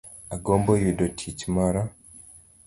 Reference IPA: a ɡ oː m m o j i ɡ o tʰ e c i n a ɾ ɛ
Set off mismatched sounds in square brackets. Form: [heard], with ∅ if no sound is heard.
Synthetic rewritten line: a ɡ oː m [b] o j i [d] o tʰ [i] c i [m] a ɾ [a]

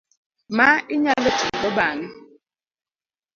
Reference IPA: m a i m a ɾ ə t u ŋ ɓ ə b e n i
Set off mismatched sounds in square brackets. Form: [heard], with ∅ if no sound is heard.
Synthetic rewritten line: m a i [ɲ] a [l] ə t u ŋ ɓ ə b [a] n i

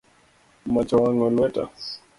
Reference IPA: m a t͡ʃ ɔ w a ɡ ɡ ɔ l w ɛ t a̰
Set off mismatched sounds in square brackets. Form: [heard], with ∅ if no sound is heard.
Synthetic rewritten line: m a t͡ʃ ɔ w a [ŋ] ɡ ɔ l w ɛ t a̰

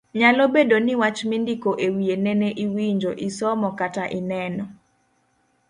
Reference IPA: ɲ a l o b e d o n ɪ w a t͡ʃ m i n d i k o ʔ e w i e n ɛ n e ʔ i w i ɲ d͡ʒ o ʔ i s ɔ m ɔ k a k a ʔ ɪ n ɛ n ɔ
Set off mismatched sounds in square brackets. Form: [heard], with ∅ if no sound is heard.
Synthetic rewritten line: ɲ a l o b e d o n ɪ w a t͡ʃ m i n d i k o ʔ e w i e n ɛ n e ʔ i w i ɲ d͡ʒ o ʔ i s ɔ m ɔ k a [t] a ʔ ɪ n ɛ n ɔ

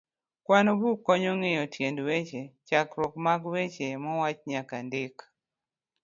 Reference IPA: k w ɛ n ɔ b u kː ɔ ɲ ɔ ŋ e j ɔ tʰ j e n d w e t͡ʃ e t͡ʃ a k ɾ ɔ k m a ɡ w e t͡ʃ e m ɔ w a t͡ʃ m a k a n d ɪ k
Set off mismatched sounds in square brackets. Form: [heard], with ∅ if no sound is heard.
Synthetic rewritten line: k w [a] n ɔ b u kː ɔ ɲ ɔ ŋ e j ɔ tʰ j e n d w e t͡ʃ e t͡ʃ a k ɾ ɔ k m a ɡ w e t͡ʃ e m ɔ w a t͡ʃ [ɲ] a k a n d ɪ k

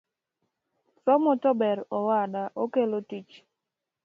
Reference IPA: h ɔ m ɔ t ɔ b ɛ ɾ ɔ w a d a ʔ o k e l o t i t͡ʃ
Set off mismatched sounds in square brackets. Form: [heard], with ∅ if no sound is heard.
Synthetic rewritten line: [s] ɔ m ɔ t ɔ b ɛ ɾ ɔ w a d a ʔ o k e l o t i t͡ʃ

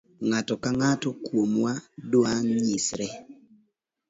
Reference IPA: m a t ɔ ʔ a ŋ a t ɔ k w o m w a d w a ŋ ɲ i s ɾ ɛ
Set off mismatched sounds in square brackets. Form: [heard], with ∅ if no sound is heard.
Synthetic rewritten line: [ŋ] a t ɔ [k] a ŋ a t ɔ k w o m w a d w a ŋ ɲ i s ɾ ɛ

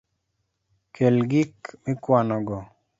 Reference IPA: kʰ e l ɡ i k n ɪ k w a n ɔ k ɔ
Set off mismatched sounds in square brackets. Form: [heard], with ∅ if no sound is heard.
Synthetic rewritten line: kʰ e l ɡ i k [m] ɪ k w a n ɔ [ɡ] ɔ

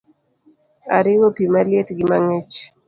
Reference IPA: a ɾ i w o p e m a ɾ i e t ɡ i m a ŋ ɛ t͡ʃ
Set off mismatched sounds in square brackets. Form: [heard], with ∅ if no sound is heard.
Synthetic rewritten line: a ɾ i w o p [i] m a [l] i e t ɡ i m a ŋ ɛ t͡ʃ

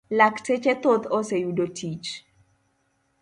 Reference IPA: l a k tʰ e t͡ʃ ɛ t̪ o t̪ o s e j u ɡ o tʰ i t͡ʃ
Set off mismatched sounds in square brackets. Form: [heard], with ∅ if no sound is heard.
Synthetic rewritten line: l a k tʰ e t͡ʃ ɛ t̪ o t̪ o s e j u [d] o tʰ i t͡ʃ

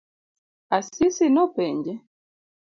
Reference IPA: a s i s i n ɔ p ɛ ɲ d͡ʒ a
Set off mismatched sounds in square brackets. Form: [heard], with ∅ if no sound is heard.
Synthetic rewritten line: a s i s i n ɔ p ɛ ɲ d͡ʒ [ɛ]

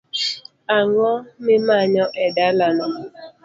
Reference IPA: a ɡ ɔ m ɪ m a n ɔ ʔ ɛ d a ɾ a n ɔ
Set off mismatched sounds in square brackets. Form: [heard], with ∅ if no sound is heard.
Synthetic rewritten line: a [ŋ] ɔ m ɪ m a [ɲ] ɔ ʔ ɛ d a [l] a n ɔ

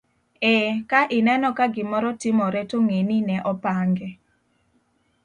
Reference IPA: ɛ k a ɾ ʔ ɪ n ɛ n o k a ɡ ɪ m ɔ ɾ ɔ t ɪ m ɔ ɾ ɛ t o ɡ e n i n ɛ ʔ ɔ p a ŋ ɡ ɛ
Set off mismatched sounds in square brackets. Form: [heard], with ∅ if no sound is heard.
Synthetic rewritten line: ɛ k a [∅] ʔ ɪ n ɛ n [ɔ] k a ɡ ɪ m ɔ ɾ ɔ t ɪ m ɔ ɾ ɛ t o [ŋ] e n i n ɛ ʔ ɔ p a ŋ ɡ ɛ

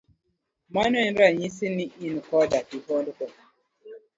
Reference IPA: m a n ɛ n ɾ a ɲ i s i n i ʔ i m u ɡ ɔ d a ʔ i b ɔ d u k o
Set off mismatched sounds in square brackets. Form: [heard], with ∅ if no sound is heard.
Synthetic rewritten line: m a n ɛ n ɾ a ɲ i s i n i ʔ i [n] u [k] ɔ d a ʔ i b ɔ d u k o

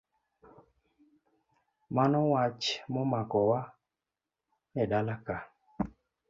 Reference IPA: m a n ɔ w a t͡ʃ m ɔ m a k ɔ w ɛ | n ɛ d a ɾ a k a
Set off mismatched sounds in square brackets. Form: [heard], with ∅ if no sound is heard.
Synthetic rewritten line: m a n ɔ w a t͡ʃ m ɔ m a k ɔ w [a] | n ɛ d a [l] a k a

